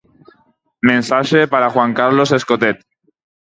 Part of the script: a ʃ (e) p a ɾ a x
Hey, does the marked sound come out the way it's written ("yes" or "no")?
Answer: yes